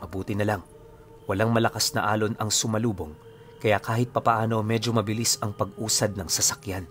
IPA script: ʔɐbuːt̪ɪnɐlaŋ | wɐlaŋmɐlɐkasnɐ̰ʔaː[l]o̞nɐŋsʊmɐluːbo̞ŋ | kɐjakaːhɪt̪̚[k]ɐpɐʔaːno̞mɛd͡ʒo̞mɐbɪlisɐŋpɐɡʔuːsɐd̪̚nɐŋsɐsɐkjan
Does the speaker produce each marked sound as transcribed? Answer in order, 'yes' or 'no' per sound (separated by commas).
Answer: yes, no